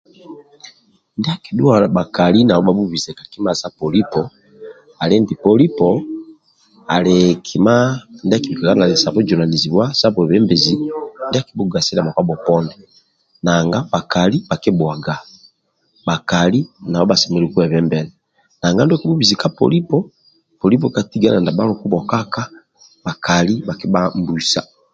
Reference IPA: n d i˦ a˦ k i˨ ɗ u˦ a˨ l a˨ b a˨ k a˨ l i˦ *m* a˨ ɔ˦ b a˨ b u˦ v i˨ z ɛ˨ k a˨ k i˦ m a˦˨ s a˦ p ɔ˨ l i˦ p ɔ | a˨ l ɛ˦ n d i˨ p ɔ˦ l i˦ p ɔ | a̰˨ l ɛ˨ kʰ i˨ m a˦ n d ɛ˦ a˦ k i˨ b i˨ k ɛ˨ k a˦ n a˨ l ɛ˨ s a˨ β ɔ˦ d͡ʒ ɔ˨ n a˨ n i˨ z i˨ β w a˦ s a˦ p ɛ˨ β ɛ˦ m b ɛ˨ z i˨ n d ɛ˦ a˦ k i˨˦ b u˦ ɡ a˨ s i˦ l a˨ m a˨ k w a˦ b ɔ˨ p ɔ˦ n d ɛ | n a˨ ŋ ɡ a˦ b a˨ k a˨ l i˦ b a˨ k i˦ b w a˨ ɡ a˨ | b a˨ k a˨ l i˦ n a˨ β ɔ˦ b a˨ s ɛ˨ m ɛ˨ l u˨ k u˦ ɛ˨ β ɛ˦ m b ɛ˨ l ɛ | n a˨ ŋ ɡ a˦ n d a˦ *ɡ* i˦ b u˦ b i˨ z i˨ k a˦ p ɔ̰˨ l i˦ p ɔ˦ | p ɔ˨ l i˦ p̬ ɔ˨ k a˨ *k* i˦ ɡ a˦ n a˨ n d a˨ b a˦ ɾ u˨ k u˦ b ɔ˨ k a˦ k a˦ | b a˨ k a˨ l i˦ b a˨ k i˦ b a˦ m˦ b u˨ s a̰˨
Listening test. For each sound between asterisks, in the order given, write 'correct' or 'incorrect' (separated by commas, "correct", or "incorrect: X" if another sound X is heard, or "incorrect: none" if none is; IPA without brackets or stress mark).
incorrect: n, incorrect: k, incorrect: t